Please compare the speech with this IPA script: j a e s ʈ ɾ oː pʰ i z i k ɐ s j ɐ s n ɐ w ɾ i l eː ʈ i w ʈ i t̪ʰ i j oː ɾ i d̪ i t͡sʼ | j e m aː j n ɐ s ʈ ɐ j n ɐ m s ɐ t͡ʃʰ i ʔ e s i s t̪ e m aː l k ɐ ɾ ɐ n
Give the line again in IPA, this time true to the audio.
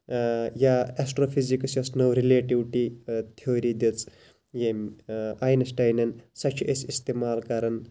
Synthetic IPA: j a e s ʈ ɾ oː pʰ i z i k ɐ s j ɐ s n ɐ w ɾ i l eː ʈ i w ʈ i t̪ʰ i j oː ɾ i d̪ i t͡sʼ | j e m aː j n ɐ s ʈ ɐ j n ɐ n s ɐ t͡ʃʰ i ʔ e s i s t̪ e m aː l k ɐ ɾ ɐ n